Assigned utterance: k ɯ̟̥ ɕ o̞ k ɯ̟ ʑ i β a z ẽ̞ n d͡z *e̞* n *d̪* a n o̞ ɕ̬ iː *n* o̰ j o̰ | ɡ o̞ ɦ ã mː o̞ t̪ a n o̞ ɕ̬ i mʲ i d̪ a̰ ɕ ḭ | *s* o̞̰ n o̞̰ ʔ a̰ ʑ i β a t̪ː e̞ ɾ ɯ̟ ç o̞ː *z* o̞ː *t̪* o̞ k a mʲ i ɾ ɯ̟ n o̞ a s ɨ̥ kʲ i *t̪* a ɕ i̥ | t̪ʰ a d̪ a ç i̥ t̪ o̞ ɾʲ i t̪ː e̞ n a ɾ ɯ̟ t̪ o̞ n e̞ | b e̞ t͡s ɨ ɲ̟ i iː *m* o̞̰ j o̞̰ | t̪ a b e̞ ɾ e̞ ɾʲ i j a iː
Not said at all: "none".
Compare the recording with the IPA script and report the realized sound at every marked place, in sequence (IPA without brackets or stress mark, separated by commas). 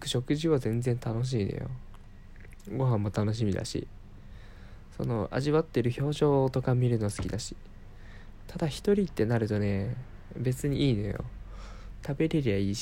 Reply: ẽ̞, t̪, n, s, ʑ, t̪, d̪, n